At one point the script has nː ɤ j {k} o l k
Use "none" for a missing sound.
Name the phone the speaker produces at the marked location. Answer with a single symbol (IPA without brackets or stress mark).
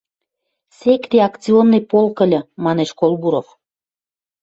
p